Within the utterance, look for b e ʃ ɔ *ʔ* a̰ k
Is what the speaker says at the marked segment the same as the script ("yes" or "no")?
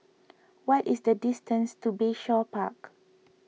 no